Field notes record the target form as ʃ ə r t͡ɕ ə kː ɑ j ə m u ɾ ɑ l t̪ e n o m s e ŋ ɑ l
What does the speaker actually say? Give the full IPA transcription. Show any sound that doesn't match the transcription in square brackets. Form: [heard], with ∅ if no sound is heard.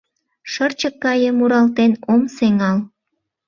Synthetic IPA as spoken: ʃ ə r t͡ɕ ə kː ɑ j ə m u ɾ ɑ l t̪ e n o m s e ŋ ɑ l